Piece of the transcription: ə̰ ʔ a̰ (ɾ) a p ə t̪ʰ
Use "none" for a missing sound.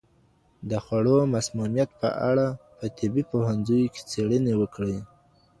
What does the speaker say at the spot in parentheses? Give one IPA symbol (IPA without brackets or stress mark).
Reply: ɽ